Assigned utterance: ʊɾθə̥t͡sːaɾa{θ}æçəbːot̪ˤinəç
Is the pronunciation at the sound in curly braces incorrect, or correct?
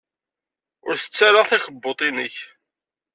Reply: correct